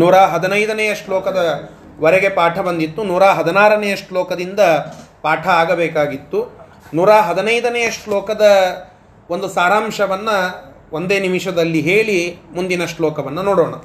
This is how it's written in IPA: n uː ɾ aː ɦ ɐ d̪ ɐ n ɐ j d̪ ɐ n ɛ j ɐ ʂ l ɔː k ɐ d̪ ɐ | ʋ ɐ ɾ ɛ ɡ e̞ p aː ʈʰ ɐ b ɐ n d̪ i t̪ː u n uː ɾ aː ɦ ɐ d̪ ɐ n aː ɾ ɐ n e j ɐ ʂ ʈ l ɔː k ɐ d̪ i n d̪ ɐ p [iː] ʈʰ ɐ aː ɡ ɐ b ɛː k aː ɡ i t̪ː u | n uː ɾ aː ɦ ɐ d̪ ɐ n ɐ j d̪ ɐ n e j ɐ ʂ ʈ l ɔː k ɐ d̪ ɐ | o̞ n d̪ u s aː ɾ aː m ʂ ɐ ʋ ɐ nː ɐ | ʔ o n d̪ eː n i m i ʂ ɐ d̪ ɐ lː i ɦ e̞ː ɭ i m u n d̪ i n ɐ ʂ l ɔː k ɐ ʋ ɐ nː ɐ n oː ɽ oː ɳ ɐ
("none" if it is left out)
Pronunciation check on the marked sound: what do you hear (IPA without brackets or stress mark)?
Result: aː